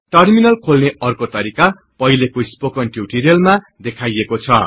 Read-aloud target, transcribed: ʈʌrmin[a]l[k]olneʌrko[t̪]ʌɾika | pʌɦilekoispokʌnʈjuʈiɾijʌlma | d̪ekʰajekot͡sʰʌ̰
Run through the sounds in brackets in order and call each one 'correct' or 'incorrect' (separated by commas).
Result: incorrect, incorrect, correct